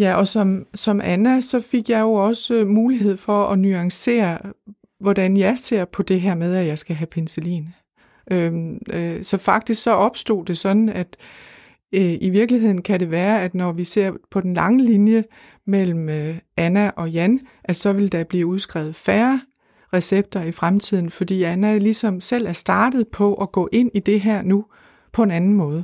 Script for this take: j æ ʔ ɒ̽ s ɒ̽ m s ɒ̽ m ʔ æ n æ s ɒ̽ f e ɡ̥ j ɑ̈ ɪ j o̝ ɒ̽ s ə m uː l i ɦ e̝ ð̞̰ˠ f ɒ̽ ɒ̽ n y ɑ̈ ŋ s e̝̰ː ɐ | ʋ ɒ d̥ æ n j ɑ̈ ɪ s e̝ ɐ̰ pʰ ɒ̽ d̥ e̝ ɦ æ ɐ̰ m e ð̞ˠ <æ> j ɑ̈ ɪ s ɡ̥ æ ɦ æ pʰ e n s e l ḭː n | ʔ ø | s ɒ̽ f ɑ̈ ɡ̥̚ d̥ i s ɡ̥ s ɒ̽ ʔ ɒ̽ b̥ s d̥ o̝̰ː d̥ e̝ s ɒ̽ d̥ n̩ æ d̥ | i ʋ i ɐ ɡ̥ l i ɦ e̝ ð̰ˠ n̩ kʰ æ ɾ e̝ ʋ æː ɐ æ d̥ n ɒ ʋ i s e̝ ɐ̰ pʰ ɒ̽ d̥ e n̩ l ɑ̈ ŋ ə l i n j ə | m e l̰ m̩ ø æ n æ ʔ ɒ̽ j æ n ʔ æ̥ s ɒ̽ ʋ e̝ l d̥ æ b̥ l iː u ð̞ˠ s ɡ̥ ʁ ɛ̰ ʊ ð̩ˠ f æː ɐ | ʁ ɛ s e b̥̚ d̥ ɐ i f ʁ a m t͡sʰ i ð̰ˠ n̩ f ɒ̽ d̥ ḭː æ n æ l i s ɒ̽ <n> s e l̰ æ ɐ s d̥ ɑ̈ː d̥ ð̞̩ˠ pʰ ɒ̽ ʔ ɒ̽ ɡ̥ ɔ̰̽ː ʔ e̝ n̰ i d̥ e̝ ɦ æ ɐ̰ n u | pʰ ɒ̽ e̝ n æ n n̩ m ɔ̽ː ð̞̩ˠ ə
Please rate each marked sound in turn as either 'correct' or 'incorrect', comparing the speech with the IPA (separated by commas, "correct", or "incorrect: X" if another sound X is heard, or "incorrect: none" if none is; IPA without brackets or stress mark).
correct, incorrect: m